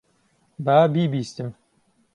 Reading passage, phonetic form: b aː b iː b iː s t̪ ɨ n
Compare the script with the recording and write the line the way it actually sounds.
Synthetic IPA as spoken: b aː b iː b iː s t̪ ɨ m

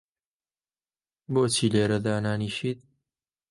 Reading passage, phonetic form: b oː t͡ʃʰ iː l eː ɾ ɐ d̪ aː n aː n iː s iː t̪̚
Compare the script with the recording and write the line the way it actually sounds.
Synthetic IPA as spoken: b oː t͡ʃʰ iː l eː ɾ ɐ d̪ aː n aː n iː ʃ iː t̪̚

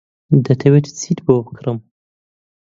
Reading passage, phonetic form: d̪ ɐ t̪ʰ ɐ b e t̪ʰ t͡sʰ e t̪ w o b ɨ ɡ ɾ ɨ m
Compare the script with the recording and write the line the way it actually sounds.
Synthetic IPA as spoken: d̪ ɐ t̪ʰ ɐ w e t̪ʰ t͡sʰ i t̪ b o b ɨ k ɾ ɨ m

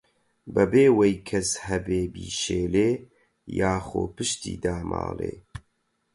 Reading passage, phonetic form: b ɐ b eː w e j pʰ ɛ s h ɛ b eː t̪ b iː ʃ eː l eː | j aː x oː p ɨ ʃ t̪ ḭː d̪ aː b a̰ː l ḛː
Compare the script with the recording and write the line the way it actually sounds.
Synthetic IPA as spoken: b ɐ b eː w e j kʰ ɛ s h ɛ b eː b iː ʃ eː l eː | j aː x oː p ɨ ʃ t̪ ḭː d̪ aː m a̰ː l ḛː

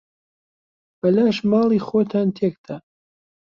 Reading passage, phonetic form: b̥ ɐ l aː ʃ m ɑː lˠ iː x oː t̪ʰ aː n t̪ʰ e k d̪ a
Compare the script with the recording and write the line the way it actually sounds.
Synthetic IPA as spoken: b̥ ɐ l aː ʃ m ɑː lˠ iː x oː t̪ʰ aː n t̪ʰ e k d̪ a

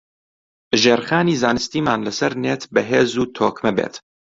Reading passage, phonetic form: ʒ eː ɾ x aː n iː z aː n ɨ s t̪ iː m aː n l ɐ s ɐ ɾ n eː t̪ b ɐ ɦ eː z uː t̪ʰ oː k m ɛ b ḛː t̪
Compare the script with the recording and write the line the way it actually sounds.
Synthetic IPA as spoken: ʒ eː ɾ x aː n iː z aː n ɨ s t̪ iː m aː n l ɐ s ɐ ɾ n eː t̪ b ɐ ɦ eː z uː t̪ʰ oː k m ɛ b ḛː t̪

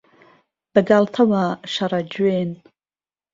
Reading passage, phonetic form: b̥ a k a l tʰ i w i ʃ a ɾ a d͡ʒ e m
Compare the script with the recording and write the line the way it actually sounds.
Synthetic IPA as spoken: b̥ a ɡ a l tʰ a w a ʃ a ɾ a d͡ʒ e n

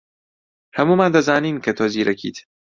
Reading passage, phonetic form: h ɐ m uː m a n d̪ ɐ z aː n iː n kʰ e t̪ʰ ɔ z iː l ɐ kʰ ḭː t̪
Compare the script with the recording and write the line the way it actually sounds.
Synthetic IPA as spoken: h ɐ m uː m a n d̪ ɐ z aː n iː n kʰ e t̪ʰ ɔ z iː ɾ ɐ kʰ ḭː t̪

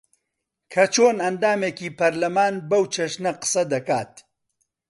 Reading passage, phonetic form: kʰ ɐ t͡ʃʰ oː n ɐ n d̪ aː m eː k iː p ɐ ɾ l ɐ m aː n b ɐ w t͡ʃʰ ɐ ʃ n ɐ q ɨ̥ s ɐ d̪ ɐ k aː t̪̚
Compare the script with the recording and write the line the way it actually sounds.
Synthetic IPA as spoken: kʰ ɐ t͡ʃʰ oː n ɐ n d̪ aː m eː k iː p ɐ ɾ l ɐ m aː n b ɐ w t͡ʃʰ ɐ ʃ n ɐ q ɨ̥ s ɐ d̪ ɐ k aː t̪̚

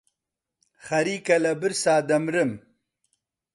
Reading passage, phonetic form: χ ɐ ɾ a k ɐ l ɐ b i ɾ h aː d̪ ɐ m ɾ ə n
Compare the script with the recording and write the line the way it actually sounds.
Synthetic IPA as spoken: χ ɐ ɾ i k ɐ l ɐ b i ɾ s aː d̪ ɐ m ɾ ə m

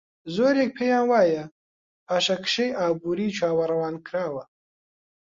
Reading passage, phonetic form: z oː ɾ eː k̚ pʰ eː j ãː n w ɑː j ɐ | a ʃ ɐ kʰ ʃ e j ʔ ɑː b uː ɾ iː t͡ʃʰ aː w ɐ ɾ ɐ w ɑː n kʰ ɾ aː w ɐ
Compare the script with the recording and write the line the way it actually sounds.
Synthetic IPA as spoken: z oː ɾ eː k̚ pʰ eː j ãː n w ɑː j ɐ | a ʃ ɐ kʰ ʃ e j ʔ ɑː b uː ɾ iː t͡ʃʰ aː w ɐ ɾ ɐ w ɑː n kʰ ɾ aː w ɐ

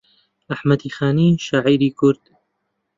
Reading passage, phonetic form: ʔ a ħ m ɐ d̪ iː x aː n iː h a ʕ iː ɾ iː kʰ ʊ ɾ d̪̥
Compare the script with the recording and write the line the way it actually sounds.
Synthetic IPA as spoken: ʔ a ħ m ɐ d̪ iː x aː n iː ʃ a ʕ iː ɾ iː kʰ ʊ ɾ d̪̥

